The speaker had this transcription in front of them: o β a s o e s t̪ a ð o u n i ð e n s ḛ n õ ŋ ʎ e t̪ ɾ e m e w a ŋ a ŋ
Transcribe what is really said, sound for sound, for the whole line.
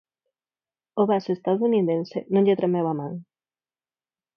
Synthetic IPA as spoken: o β a s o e s t̪ a ð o u n i ð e n s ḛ n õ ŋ ʎ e t̪ ɾ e m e w a m a ŋ